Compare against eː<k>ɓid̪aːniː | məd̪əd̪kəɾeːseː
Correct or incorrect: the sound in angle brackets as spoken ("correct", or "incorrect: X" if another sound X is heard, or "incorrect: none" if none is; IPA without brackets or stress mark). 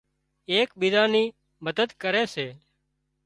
correct